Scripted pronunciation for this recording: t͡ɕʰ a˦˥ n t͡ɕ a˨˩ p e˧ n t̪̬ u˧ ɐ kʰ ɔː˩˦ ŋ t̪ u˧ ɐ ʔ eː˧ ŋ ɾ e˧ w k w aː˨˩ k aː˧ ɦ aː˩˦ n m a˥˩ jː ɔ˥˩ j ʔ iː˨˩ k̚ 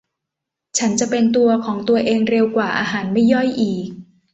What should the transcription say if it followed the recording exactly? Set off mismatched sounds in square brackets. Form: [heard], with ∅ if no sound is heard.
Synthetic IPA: t͡ɕʰ a˦˥ n t͡ɕ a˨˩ p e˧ n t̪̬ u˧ ɐ kʰ ɔː˩˦ ŋ t̪ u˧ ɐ ʔ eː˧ ŋ ɾ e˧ w k w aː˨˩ [ʔ] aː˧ ɦ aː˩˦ n m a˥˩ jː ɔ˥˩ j ʔ iː˨˩ k̚

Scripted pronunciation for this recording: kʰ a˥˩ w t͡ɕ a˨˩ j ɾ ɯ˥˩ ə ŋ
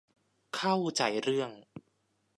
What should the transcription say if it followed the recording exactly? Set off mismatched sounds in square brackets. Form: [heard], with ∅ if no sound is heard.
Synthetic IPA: kʰ a˥˩ w t͡ɕ a˨˩ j ɾ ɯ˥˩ ə ŋ

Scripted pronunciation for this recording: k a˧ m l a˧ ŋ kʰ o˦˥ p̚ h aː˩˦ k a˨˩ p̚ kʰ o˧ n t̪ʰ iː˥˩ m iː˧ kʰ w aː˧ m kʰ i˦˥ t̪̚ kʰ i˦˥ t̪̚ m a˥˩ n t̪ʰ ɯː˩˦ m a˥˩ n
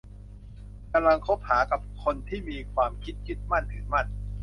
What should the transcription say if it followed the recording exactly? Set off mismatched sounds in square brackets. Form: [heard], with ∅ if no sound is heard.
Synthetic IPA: k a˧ m l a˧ ŋ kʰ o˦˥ p̚ h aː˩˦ k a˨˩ p̚ kʰ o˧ n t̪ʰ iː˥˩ m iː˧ kʰ w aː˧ m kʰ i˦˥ t̪̚ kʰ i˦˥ t̪̚ m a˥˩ n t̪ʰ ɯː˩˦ m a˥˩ n

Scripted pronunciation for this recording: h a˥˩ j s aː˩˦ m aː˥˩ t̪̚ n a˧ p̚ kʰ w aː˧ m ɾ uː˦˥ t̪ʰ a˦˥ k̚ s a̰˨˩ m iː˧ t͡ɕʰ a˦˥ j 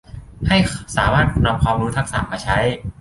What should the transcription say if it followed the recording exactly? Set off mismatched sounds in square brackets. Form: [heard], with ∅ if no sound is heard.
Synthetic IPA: h a˥˩ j s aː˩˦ m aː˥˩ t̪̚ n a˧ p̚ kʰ w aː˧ m ɾ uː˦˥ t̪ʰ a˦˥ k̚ s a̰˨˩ m [aː˧] t͡ɕʰ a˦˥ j

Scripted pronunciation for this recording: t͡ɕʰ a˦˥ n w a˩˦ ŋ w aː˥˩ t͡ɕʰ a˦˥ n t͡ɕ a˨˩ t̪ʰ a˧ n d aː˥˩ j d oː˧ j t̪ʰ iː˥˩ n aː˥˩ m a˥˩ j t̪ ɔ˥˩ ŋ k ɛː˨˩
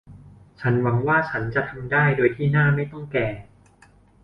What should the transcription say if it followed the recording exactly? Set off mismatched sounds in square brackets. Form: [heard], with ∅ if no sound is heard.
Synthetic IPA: t͡ɕʰ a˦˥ n w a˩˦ ŋ w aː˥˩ t͡ɕʰ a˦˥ n t͡ɕ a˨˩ t̪ʰ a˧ [m] d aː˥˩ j d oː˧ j t̪ʰ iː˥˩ n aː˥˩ m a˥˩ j t̪ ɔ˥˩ ŋ k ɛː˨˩

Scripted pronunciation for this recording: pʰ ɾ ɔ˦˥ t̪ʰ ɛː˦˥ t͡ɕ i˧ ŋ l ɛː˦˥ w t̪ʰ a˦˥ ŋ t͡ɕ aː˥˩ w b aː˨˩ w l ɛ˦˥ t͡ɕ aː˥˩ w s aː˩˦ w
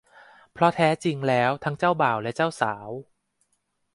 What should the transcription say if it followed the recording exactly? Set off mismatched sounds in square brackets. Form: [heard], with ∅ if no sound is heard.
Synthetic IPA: pʰ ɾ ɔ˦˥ t̪ʰ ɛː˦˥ t͡ɕ i˧ ŋ l ɛː˦˥ w t̪ʰ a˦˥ ŋ t͡ɕ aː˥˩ w b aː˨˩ w l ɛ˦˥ t͡ɕ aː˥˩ w s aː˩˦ w

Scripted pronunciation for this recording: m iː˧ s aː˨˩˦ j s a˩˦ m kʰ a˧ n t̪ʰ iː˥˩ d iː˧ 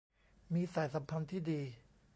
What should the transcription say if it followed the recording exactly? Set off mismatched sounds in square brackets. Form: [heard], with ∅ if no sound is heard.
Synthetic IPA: m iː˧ s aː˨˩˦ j s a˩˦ m [pʰ] a˧ n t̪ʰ iː˥˩ d iː˧

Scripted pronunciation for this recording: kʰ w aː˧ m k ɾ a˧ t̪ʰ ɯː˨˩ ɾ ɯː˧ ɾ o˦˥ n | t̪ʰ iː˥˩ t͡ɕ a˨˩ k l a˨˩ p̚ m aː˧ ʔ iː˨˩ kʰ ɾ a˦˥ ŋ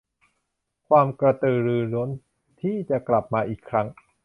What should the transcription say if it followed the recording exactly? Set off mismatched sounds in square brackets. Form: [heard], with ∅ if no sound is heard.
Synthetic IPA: kʰ w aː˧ m k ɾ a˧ [t̪] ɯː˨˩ ɾ ɯː˧ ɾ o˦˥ n | t̪ʰ iː˥˩ t͡ɕ a˨˩ k l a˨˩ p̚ m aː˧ ʔ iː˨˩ kʰ ɾ a˦˥ ŋ

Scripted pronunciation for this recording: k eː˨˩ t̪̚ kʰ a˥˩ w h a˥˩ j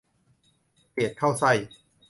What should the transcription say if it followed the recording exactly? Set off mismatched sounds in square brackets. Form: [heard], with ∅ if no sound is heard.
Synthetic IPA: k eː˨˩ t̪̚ kʰ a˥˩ w [s] a˥˩ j

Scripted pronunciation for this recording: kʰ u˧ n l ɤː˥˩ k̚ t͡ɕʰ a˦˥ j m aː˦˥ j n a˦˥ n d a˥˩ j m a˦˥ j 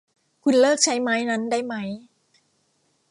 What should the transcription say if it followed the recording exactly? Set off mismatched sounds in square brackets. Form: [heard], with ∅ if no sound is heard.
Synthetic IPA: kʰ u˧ n l ɤː˥˩ k̚ t͡ɕʰ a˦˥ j m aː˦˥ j n a˦˥ n d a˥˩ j m a˦˥ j

